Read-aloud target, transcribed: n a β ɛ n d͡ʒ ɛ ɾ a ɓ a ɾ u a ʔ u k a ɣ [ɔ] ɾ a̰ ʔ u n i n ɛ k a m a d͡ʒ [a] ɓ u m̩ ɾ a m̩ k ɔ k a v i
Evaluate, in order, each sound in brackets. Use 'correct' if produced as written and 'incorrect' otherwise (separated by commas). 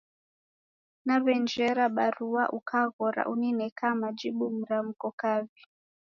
correct, incorrect